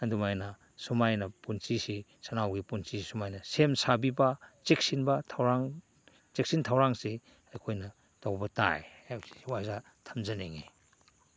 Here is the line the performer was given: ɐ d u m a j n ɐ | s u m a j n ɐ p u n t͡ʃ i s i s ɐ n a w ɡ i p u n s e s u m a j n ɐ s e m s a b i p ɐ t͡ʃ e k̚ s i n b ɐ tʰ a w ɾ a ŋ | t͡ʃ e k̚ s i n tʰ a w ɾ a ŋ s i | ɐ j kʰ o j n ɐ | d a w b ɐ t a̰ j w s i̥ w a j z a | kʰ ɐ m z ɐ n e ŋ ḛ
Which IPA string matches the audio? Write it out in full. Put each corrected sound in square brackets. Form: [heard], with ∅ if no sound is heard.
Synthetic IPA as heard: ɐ d u m a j n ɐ | s u m a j n ɐ p u n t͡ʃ i s i s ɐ n a w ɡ i p u n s [i] s u m a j n ɐ s e m s a b i [b] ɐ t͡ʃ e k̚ s i n b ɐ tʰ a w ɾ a ŋ | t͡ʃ e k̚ s i n tʰ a w ɾ a ŋ s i | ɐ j kʰ o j n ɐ | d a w b ɐ t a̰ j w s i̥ w a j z a | [tʰ] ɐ m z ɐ n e ŋ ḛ